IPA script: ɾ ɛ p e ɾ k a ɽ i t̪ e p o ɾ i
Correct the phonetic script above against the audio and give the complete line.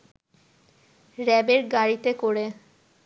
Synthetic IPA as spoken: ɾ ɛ b e ɾ ɡ a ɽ i t̪ e k o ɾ e